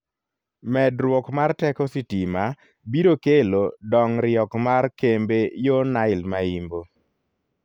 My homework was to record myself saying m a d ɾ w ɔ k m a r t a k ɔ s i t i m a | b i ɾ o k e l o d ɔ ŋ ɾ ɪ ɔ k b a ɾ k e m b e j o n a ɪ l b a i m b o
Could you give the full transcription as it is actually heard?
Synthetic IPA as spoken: m ɛ d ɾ w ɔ k m a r t ɛ k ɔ s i t i m a | b i ɾ o k e l o d ɔ ŋ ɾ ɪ ɔ k m a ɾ k e m b e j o n a ɪ l m a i m b o